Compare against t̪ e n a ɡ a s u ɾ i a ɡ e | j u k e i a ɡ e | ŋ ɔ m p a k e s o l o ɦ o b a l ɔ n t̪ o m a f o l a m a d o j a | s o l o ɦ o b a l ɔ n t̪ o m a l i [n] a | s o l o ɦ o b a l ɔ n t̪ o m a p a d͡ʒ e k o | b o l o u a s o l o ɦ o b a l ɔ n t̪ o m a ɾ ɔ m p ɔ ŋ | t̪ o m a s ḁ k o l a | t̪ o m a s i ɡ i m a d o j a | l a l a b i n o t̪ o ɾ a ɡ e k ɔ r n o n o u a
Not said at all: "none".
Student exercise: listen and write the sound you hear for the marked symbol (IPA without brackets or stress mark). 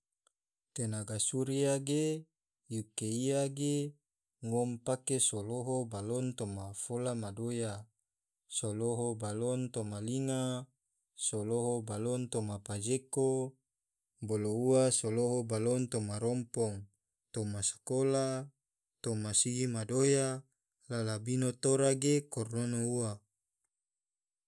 ŋ